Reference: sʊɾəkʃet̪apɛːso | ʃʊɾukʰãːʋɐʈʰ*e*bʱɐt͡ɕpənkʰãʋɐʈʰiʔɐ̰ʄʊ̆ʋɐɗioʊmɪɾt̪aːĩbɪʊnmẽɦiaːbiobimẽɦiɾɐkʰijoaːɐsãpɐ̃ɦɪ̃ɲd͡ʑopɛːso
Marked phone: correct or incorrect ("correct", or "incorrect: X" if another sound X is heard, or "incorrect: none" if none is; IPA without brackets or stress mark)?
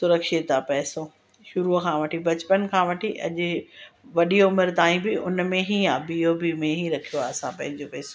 incorrect: i